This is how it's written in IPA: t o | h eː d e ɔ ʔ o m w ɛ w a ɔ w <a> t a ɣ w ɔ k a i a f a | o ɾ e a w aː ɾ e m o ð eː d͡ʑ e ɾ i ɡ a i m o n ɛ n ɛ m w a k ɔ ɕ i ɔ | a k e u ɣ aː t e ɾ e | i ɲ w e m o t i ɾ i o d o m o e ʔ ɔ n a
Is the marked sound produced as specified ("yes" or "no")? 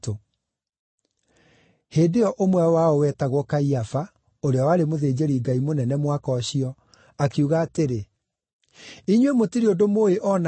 no